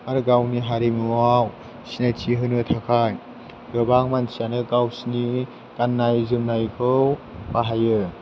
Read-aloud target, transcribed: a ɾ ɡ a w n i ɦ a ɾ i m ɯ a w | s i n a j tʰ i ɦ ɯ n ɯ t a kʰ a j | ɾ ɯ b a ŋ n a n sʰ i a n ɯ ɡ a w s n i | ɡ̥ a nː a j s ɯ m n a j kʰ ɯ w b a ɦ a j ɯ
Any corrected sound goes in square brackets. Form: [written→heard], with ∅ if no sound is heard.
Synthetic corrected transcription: a ɾ ɡ a w n i ɦ a ɾ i m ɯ a w | s i n a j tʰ i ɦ ɯ n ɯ [t→tʰ] a kʰ a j | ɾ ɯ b a ŋ [n→m] a n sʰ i a n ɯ ɡ a w s n i | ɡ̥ a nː a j [s→z] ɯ m n a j kʰ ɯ w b a ɦ a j ɯ